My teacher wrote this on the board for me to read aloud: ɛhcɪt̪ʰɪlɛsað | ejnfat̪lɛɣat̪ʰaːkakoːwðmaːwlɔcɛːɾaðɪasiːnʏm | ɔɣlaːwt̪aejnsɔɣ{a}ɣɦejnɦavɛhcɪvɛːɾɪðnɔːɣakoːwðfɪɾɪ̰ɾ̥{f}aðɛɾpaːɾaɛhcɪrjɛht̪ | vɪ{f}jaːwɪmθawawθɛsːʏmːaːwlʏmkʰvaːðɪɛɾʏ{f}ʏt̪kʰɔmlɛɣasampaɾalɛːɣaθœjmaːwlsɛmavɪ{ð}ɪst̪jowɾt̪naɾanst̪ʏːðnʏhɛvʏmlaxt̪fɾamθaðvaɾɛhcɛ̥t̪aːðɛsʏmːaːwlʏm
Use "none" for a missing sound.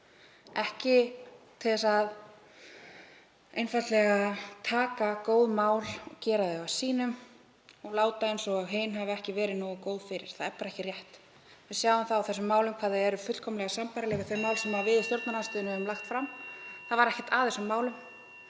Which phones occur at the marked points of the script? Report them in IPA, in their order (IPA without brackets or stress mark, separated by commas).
a, θ, s, f, ð